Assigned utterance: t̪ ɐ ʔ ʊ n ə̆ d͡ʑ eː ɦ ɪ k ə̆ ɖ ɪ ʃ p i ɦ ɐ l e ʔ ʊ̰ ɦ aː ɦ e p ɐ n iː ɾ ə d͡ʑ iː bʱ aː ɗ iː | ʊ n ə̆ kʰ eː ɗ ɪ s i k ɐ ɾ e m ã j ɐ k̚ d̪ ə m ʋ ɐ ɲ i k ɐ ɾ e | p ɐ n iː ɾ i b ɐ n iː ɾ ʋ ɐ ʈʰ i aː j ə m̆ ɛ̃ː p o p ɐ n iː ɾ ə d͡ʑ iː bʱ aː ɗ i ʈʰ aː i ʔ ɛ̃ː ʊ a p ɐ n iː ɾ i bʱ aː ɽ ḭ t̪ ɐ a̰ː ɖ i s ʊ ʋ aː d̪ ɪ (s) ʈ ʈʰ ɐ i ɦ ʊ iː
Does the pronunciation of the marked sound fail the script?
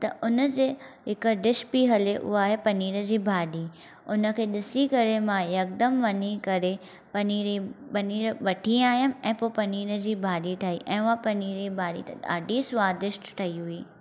yes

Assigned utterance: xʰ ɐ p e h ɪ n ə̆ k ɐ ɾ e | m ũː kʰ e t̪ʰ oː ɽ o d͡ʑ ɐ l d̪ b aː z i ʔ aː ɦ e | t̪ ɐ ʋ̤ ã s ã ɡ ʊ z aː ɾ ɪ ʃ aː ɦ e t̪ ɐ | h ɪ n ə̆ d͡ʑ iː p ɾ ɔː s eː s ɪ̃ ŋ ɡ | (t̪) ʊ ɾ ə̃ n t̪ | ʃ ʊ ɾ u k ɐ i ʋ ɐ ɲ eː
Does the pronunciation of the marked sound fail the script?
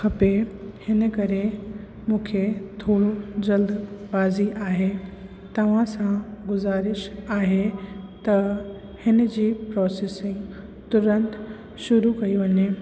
no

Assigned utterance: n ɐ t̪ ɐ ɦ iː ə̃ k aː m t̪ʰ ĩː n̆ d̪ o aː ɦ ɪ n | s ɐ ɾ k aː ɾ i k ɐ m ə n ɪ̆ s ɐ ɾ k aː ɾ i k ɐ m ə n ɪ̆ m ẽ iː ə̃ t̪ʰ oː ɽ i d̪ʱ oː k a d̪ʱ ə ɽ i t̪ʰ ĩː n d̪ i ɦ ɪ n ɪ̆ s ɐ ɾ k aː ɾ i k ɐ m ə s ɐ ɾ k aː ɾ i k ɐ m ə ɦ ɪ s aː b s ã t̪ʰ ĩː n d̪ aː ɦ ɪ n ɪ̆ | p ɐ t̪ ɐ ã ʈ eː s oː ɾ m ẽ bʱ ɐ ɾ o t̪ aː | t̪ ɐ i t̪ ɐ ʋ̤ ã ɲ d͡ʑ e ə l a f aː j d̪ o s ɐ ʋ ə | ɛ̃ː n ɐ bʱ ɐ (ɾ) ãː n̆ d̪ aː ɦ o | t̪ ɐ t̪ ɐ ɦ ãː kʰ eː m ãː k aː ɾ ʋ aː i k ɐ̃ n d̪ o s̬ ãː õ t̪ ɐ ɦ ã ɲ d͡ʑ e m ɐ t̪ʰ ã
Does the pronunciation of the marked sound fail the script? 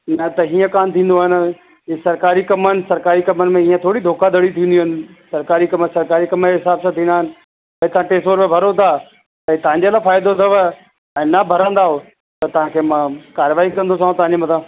no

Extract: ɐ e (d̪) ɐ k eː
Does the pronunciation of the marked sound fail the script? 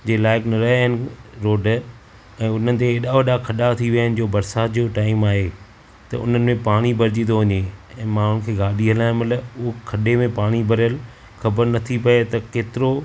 yes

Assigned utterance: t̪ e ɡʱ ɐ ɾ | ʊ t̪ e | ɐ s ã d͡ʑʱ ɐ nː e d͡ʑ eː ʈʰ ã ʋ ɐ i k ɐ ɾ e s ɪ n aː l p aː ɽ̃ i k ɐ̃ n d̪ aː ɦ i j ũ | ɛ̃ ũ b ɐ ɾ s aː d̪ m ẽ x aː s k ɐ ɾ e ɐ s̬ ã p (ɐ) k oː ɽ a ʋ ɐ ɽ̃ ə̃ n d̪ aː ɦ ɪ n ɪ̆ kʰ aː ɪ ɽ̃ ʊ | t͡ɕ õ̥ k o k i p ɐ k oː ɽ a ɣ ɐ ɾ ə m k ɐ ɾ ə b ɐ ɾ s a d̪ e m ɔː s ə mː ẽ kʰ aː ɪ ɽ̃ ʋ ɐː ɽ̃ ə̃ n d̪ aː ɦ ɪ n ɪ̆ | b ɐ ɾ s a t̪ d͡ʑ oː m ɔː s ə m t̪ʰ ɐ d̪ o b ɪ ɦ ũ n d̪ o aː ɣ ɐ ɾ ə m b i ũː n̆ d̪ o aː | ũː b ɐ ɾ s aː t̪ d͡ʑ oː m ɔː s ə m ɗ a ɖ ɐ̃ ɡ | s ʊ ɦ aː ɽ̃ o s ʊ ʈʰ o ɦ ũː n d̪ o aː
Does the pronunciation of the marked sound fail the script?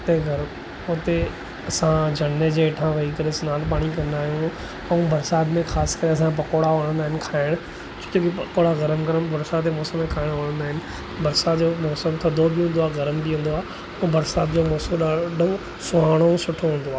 no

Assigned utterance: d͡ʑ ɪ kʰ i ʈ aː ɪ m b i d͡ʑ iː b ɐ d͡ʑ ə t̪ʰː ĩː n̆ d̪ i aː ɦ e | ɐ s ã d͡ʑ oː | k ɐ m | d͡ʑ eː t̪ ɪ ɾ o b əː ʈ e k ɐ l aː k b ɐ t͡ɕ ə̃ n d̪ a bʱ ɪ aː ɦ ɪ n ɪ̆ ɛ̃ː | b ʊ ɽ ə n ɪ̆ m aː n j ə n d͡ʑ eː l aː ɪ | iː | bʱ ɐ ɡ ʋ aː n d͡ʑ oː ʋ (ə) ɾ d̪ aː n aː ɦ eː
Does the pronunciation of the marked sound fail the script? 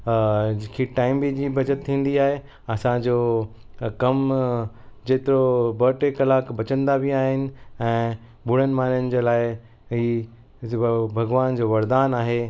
yes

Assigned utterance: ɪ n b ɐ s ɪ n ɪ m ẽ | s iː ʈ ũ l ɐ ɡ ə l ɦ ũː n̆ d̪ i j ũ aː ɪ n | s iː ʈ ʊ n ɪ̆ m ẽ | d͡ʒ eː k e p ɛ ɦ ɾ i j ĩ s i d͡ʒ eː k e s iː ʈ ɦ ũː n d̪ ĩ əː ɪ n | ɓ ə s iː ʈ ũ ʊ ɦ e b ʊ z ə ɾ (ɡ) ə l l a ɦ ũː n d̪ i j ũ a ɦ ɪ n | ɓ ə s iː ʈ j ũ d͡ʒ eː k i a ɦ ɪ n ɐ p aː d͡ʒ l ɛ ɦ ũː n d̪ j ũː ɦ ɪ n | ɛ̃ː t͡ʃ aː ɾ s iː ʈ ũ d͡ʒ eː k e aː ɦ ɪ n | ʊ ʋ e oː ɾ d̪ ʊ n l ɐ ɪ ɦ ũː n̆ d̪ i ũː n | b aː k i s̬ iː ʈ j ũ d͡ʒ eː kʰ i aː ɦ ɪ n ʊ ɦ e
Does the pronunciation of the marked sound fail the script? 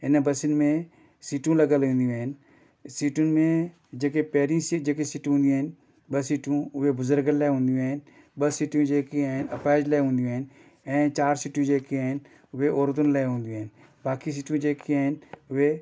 no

